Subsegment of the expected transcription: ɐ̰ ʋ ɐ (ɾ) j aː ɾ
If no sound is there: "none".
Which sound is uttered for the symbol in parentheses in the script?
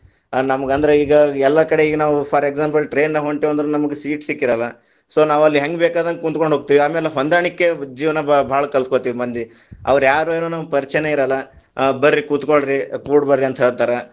ɾ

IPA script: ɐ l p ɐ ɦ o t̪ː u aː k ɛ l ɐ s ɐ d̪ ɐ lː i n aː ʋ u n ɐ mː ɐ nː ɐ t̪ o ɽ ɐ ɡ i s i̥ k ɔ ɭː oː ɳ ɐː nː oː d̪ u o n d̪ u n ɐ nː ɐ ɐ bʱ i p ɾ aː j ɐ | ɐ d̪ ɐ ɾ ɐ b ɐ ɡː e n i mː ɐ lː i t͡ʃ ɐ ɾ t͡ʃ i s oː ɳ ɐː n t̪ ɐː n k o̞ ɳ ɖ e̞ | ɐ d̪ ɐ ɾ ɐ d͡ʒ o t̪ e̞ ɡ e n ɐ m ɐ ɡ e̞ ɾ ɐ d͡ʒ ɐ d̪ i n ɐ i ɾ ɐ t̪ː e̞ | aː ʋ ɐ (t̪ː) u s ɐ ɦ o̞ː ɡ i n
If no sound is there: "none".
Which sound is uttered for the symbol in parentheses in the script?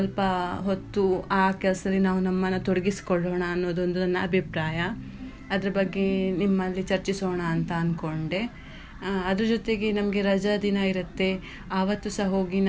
t̪ː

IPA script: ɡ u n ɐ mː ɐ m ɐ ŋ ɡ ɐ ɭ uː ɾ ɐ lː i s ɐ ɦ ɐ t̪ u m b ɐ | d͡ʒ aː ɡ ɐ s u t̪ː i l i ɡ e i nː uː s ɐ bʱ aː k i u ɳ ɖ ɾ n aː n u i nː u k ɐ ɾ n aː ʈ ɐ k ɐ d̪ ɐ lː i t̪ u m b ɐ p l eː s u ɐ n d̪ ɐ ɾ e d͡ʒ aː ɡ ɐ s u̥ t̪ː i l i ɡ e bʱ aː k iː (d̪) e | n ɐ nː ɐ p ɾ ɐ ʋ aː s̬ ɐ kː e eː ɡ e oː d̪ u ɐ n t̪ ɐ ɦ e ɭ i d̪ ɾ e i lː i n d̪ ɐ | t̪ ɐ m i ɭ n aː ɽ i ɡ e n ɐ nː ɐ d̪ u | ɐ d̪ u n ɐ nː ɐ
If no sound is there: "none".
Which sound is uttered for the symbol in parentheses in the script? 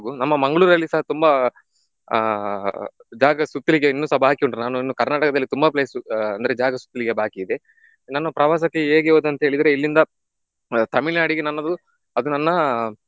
d̪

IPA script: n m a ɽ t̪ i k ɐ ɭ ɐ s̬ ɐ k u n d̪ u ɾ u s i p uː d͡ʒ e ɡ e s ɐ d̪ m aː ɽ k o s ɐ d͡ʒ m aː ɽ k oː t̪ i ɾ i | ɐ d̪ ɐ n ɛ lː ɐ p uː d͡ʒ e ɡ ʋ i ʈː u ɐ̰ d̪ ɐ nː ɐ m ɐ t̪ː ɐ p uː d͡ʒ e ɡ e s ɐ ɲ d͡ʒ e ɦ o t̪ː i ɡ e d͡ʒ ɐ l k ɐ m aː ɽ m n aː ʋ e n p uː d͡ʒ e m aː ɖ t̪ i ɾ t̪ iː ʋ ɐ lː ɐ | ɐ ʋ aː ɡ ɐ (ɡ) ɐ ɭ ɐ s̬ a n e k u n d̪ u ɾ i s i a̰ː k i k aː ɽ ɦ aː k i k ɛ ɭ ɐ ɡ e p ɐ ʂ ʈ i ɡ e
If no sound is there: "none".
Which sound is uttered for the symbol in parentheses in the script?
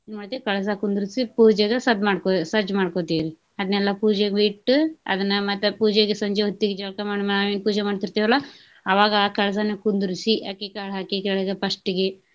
k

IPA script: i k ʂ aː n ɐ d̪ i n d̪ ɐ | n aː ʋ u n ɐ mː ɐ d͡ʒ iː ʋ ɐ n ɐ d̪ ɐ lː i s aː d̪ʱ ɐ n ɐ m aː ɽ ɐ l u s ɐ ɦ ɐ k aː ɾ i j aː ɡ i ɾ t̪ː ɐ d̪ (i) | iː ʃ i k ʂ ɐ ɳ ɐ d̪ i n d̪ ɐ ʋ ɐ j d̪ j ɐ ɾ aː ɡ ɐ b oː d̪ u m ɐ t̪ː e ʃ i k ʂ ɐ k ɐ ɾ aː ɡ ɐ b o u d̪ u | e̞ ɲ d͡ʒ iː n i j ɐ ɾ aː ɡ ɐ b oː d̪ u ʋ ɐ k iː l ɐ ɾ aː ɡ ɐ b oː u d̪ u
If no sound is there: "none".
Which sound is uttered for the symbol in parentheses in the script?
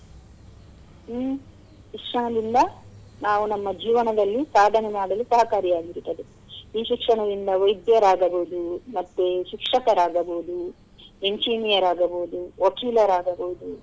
e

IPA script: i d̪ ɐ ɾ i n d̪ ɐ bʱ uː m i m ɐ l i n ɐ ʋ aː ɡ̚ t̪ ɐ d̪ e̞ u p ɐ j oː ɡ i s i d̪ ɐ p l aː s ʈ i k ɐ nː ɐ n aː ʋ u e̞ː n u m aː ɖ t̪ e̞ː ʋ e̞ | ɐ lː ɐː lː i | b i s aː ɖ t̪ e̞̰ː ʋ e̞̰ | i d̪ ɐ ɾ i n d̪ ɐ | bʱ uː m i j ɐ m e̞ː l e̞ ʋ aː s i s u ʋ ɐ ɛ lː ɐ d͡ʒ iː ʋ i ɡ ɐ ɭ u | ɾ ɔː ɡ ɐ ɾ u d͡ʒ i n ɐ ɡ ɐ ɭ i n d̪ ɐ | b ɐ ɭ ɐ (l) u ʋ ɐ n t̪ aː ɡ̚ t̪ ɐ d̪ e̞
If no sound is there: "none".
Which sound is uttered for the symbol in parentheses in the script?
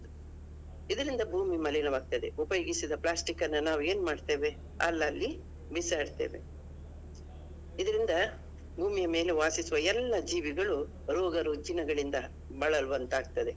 l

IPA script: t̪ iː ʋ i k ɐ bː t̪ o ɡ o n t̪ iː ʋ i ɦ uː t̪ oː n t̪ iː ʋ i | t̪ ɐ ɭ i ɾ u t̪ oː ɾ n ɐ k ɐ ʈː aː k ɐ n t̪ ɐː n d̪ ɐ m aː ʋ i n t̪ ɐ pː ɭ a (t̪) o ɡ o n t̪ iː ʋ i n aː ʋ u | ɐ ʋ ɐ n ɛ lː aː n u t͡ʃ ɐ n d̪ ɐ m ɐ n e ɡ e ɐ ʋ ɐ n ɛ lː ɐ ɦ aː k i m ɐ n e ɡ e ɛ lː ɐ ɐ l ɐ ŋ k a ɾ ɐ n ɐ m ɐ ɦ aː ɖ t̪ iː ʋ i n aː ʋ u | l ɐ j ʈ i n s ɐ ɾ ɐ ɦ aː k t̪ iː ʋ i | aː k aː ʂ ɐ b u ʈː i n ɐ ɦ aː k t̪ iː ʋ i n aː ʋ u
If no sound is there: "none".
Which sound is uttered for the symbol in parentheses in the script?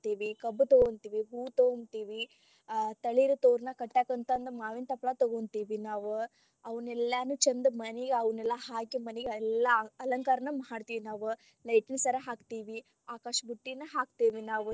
t̪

